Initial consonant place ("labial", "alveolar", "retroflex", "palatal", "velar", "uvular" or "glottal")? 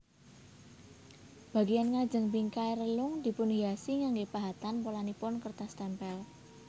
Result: labial